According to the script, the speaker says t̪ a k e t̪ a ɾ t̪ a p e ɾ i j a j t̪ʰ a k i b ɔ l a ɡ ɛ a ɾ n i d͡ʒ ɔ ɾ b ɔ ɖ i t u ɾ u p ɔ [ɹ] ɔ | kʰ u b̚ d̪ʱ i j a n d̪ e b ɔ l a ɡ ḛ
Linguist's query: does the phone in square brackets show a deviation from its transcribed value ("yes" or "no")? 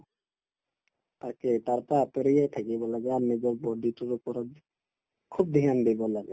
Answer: yes